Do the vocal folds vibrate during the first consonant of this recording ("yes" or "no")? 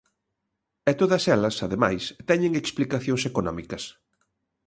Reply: no